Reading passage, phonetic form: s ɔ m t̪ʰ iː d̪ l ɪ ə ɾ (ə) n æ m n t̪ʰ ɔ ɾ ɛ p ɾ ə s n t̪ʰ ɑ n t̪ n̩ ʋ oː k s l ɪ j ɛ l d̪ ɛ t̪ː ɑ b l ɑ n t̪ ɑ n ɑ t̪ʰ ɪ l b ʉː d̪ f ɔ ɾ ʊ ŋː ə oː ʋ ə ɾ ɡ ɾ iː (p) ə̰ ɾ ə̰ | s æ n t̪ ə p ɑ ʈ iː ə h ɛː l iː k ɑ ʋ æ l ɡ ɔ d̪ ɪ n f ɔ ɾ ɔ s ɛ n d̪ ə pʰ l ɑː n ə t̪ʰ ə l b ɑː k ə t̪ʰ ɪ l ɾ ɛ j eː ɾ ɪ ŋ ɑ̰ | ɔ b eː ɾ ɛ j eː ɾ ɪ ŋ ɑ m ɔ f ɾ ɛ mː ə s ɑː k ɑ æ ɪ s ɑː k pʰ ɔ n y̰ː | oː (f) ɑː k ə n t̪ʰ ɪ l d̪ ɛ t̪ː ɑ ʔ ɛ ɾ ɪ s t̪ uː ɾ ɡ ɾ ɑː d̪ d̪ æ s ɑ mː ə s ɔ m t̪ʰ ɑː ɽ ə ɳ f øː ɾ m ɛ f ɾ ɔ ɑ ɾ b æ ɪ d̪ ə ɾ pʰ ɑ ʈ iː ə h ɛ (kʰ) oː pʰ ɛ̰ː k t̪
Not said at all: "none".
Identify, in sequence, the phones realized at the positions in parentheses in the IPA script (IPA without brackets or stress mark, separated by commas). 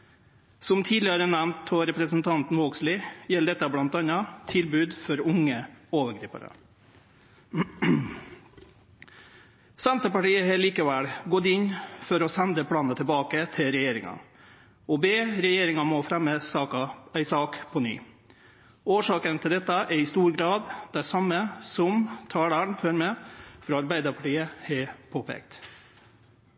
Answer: ə, p, ʂ, pʰ